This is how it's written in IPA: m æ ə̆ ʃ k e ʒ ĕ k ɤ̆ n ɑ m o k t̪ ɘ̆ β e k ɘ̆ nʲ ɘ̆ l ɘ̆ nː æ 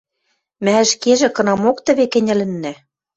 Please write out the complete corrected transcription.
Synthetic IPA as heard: m æ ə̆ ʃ k e ʒ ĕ k ɤ̆ n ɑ m o k t̪ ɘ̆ β e k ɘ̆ nʲ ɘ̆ l ɘ̆ nː æ